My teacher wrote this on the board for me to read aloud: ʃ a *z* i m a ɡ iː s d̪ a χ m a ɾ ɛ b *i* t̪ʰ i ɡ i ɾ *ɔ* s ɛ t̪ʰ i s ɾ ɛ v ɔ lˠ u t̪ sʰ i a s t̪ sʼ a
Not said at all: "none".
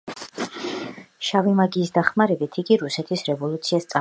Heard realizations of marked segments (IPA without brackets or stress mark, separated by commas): v, i, u